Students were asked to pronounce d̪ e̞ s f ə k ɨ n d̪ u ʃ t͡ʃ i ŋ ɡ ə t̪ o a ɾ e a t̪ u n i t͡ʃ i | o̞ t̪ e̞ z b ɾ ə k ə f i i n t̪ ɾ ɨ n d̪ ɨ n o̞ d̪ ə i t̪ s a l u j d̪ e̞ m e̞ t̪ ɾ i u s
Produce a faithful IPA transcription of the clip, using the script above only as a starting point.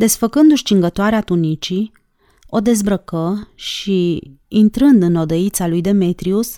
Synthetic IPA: d̪ e̞ s f ə k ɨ n d̪ u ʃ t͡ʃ i ŋ ɡ ə t̪ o a ɾ e a t̪ u n i t͡ʃ i | o̞ d̪ e̞ z b ɾ ə k ə ʃ i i n t̪ ɾ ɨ n d̪ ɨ n o̞ d̪ ə i t̪ s a l u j d̪ e̞ m e̞ t̪ ɾ i u s